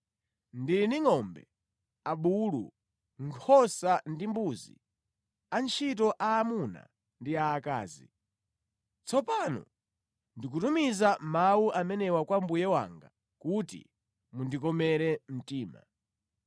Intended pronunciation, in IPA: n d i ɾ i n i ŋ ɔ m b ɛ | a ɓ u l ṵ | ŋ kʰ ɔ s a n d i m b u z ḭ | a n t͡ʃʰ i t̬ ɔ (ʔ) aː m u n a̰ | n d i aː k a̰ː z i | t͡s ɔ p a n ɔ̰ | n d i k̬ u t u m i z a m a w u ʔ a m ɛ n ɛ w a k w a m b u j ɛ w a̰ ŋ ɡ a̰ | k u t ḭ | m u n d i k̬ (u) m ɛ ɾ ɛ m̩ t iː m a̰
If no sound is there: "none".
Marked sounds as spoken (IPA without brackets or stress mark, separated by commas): ʔ, ɔ